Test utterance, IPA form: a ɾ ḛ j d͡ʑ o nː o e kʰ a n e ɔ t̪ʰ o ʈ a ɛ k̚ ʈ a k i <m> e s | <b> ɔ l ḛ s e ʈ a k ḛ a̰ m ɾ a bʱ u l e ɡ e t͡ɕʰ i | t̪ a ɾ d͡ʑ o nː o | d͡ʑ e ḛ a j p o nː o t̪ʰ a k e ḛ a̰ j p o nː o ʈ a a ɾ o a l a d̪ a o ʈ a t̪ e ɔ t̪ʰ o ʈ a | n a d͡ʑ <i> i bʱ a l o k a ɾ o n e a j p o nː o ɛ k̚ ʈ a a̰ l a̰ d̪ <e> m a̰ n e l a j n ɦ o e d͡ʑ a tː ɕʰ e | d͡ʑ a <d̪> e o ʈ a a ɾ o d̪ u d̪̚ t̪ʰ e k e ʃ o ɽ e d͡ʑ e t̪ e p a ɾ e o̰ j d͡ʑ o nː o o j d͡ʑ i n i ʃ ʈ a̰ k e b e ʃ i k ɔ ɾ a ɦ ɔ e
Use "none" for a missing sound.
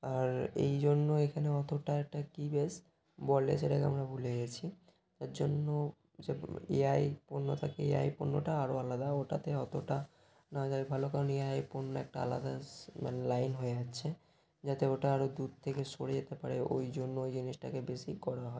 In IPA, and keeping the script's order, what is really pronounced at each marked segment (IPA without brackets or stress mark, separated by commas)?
b, b, a, a, t̪